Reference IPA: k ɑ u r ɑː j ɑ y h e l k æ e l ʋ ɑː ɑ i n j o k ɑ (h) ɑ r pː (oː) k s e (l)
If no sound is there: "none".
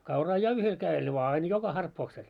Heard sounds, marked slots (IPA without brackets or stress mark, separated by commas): h, oː, l